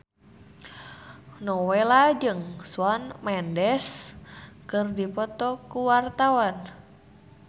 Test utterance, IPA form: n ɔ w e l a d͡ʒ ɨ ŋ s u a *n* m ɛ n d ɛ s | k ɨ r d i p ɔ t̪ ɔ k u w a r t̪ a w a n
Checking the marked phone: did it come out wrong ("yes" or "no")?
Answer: no